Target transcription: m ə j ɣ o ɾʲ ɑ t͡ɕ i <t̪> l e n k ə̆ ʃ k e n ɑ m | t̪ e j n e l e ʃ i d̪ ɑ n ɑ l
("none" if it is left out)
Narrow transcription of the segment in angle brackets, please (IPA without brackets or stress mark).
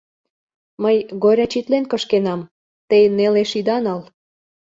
t̪